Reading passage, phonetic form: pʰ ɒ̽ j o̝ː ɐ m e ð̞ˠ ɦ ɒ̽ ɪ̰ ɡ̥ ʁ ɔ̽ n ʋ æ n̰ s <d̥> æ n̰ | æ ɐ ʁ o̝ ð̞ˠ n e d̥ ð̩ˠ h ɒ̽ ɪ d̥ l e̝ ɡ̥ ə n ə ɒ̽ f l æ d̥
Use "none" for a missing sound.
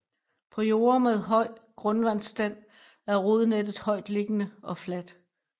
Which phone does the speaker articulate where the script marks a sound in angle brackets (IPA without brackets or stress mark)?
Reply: d̥